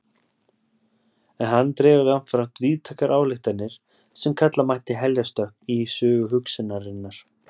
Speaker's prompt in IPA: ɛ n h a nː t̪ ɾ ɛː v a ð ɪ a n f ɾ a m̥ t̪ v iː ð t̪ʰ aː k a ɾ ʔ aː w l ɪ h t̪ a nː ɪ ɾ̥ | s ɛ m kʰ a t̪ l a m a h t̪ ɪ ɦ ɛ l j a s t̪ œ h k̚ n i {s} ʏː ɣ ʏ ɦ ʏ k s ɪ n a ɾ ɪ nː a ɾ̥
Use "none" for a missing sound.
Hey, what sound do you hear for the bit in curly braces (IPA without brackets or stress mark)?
s